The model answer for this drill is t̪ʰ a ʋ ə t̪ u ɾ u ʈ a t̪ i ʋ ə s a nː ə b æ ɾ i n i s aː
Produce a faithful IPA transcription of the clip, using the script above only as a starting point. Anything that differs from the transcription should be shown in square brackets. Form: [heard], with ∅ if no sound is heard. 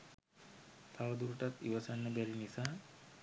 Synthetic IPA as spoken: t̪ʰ a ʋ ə [d̪] u ɾ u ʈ a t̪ i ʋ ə s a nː ə b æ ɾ i n i s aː